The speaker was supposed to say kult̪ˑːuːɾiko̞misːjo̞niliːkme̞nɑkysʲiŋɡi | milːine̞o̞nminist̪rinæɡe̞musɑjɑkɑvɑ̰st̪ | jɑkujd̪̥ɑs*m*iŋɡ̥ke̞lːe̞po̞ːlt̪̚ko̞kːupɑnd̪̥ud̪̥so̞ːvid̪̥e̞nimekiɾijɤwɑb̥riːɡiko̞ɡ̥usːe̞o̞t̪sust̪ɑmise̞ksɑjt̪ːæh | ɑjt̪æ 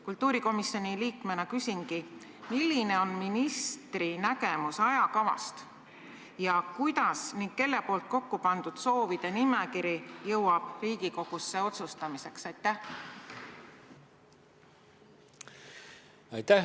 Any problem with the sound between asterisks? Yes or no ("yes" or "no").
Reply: yes